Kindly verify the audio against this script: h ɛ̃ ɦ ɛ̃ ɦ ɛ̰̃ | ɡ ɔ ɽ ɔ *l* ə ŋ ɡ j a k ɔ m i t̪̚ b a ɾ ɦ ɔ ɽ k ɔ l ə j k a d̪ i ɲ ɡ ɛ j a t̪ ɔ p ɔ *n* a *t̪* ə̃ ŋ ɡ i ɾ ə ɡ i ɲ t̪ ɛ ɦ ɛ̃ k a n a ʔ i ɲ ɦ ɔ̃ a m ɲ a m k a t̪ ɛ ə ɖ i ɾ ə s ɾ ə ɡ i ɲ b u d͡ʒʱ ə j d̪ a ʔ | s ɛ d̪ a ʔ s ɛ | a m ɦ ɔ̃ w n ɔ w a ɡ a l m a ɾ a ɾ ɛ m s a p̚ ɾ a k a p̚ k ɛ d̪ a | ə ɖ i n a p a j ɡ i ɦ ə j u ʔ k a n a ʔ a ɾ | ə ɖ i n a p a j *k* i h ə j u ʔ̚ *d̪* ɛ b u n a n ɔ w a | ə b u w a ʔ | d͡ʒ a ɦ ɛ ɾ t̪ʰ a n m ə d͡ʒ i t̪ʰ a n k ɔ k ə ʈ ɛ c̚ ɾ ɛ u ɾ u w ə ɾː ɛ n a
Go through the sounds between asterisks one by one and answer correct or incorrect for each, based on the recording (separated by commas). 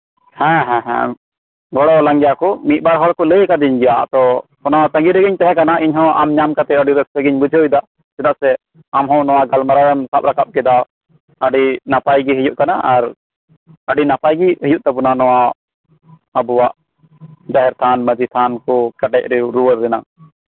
correct, correct, correct, incorrect, incorrect